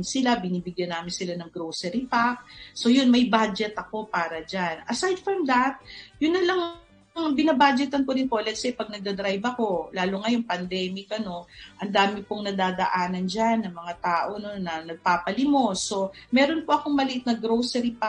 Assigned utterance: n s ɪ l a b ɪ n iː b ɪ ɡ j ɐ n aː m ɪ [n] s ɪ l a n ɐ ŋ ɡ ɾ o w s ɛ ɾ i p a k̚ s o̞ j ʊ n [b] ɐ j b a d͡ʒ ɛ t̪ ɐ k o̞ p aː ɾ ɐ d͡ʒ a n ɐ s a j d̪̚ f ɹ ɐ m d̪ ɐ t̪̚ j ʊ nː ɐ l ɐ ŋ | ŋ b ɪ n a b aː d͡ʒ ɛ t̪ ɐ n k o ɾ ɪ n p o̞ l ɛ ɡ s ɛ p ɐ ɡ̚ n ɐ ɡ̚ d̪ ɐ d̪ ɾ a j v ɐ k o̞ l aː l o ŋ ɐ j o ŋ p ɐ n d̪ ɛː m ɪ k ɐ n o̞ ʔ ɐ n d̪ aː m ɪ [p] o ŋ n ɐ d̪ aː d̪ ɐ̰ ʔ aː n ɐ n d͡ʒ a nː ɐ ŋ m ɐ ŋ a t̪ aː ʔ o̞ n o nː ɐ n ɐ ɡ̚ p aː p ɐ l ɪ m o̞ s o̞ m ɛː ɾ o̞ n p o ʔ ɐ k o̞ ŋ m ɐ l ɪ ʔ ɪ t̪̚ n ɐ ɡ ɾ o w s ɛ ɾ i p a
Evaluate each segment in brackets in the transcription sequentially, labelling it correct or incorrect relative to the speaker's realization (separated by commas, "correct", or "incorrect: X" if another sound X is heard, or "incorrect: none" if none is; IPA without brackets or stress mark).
correct, incorrect: m, correct